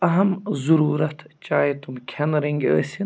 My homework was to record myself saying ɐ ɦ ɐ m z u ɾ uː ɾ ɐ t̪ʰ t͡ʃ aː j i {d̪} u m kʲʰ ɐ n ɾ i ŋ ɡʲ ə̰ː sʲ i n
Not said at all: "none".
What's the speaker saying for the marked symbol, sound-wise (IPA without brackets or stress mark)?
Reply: t̪